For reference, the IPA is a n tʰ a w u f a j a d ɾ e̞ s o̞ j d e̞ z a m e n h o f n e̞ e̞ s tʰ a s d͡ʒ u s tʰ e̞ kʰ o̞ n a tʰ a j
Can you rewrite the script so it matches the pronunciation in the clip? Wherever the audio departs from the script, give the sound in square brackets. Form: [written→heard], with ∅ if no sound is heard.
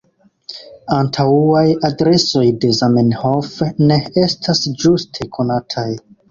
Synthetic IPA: a n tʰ a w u [f→∅] a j a d ɾ e̞ s o̞ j d e̞ z a m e n h o f n e̞ e̞ s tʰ a s d͡ʒ u s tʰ e̞ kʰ o̞ n a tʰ a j